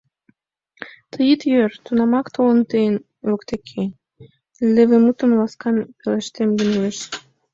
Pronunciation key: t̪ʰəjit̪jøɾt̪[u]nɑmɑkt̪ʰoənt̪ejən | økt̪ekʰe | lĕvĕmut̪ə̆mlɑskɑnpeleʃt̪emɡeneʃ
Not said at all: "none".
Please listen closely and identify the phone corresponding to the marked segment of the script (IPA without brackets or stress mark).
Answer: u